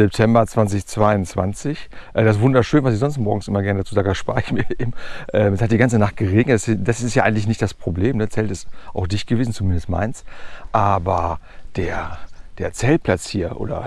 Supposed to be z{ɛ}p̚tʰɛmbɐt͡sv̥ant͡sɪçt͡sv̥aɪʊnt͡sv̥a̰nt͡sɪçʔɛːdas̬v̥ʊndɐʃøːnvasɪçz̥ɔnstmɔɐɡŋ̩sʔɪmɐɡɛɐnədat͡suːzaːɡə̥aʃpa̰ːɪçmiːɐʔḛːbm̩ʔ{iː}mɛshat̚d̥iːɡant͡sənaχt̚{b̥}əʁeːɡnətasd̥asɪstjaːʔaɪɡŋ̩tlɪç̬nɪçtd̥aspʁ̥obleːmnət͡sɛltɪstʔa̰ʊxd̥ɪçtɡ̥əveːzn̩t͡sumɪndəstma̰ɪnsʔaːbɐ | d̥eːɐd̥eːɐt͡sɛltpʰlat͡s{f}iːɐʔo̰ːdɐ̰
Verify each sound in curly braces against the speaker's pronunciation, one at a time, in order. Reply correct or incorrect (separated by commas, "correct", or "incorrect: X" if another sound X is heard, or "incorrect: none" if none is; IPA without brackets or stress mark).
correct, incorrect: ɛː, incorrect: ɡ̥, incorrect: h